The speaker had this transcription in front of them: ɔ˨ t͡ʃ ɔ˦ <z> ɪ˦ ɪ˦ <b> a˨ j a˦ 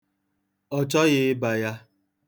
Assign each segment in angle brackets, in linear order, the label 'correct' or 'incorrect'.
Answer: incorrect: ɣ, correct

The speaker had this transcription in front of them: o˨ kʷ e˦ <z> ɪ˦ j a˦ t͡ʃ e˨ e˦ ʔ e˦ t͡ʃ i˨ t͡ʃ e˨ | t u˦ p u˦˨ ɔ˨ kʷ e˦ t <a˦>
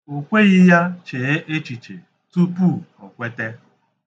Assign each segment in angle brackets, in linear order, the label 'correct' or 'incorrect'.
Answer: incorrect: ɣ, incorrect: e˦

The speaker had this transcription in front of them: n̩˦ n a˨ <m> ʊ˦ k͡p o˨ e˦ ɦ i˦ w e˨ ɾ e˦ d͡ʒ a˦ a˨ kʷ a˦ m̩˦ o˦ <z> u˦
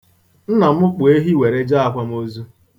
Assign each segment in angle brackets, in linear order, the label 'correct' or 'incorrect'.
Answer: correct, correct

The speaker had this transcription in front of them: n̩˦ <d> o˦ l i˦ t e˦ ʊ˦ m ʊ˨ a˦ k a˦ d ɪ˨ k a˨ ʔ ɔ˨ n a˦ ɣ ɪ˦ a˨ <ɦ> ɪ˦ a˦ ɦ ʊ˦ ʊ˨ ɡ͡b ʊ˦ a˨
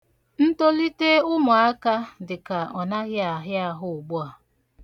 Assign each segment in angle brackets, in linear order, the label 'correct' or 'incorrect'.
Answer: incorrect: t, correct

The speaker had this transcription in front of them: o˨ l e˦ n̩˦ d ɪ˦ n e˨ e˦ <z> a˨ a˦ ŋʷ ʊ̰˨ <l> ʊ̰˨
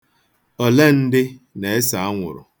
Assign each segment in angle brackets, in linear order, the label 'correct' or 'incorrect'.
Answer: incorrect: s, incorrect: ɾ

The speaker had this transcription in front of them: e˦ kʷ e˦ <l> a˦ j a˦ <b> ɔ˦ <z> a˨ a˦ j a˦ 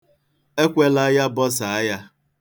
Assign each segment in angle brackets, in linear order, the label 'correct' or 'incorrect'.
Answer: correct, correct, incorrect: s

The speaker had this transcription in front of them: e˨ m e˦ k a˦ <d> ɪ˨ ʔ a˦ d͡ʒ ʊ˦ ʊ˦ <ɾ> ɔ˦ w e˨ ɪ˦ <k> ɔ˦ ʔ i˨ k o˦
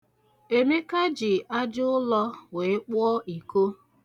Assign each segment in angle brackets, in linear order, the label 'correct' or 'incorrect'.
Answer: incorrect: d͡ʒ, incorrect: l, incorrect: k͡p

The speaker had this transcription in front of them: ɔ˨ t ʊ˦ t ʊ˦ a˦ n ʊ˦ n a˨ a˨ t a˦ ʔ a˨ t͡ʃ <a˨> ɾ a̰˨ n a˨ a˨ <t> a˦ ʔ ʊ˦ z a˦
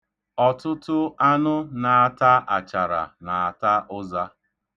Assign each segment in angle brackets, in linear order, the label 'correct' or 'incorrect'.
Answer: correct, correct

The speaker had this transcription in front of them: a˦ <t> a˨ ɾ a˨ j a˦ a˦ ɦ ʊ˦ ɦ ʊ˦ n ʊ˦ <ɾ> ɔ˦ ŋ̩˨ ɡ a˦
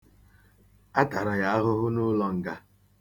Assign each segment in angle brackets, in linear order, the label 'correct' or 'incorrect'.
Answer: correct, incorrect: l

